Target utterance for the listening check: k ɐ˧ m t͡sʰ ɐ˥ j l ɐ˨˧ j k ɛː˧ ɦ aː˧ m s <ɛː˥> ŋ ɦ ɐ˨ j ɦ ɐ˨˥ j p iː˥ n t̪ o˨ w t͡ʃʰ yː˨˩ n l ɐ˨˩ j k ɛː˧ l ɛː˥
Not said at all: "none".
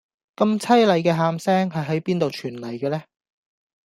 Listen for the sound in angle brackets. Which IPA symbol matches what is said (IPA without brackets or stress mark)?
ɛː˥